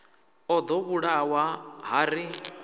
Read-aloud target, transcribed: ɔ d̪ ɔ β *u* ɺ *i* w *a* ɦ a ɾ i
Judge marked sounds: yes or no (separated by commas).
yes, no, yes